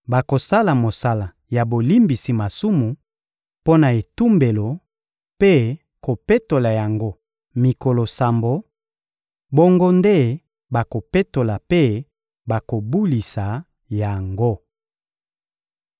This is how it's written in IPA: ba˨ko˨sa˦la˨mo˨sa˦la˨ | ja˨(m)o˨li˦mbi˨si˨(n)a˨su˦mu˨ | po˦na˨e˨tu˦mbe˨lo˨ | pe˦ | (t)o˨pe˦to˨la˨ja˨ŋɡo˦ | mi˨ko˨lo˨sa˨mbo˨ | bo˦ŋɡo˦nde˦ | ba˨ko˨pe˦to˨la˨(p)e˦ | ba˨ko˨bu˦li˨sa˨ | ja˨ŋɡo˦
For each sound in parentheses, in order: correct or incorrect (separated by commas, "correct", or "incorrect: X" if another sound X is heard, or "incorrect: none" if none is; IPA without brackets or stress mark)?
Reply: incorrect: b, incorrect: m, incorrect: k, correct